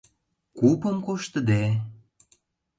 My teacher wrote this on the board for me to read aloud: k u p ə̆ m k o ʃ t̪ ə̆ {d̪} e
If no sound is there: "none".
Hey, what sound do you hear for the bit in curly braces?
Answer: d̪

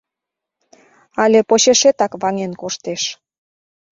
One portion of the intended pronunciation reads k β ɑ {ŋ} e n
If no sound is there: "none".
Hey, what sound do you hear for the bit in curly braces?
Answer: ŋ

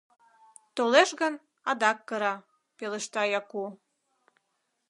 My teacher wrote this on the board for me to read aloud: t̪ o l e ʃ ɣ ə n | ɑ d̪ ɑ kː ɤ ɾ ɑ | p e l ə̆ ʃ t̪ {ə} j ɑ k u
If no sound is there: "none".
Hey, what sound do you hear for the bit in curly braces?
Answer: ɑ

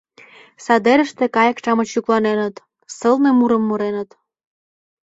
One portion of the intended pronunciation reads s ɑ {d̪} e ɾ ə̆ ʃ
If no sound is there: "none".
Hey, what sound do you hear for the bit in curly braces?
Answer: d̪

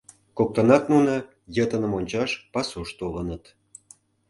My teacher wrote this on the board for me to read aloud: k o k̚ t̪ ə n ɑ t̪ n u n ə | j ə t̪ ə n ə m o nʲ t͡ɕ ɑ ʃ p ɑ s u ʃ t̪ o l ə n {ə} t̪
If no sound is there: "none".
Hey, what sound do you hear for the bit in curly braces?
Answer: ə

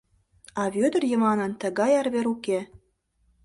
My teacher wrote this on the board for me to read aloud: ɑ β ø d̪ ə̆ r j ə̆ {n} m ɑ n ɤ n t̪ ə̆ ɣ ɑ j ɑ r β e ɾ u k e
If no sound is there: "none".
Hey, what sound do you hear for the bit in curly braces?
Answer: none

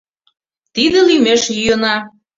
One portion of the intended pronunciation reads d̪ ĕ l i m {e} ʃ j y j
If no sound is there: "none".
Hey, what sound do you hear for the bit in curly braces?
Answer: e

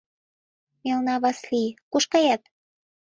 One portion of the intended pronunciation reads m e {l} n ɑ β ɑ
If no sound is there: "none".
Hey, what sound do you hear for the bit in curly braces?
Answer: l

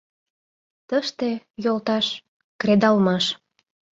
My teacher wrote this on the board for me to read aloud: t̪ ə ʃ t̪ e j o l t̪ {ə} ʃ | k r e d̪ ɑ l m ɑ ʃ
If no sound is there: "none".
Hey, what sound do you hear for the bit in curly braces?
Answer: ɑ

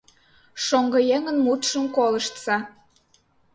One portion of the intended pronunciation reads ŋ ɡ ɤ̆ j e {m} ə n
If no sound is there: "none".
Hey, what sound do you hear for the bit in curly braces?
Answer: ŋ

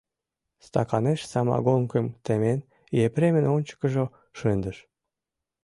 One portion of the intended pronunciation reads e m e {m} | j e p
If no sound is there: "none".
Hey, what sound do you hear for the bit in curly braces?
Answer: n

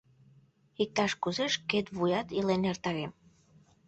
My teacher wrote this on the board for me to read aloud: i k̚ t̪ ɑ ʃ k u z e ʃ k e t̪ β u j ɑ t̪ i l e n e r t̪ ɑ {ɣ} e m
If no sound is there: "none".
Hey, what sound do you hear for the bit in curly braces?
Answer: ɣ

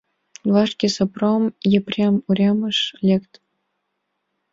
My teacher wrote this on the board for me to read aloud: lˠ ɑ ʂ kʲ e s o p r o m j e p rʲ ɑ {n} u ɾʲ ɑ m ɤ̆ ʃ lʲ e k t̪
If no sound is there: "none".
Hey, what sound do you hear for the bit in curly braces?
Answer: m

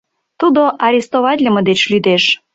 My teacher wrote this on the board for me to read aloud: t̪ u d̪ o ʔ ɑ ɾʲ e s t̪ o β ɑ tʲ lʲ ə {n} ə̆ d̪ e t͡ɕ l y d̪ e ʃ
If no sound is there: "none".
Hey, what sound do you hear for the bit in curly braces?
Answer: m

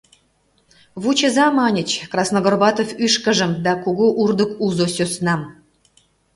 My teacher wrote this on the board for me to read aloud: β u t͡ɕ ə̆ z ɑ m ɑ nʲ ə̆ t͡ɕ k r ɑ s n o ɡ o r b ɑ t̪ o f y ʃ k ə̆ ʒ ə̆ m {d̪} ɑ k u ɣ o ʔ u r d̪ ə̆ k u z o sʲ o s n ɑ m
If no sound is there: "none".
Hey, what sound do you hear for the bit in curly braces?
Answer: d̪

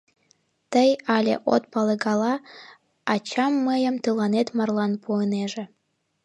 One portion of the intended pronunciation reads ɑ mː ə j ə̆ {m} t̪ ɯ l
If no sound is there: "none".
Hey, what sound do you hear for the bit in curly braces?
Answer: m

